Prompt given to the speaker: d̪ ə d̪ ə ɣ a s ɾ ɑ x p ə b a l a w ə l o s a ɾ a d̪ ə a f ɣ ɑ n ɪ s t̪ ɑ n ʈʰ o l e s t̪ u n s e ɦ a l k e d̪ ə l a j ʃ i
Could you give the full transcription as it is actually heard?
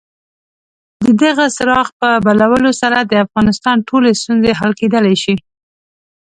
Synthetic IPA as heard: d̪ ə d̪ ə ɣ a s ɾ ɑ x p ə b a l a w ə l o s a ɾ a d̪ ə a f ɣ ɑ n ɪ s t̪ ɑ n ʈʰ o l e s t̪ u n z e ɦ a l k e d̪ ə l a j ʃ i